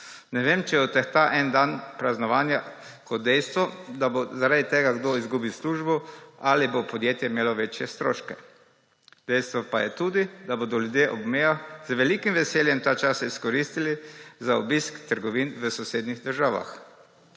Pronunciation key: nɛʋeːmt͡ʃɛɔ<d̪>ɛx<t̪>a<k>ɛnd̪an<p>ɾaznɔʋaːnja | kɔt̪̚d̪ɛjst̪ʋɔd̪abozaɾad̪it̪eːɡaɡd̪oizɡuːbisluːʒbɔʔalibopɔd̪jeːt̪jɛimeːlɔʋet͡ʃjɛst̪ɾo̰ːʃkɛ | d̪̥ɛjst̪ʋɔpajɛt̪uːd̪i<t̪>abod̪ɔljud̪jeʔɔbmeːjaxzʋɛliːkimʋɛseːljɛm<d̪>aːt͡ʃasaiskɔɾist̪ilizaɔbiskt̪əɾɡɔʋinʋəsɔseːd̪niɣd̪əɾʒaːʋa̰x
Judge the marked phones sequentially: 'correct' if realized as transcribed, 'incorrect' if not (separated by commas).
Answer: incorrect, correct, incorrect, correct, incorrect, incorrect